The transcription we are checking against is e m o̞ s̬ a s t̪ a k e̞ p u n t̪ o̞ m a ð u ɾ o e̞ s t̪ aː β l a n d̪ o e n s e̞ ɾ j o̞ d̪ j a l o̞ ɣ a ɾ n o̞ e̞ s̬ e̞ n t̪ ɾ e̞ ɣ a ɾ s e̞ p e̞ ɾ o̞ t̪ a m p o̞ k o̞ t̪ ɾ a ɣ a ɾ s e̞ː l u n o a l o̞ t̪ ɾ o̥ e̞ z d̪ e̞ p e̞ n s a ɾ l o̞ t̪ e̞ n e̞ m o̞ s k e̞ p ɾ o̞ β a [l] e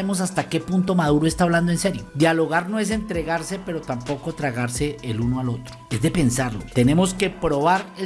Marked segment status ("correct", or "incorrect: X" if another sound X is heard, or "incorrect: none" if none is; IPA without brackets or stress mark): incorrect: ɾ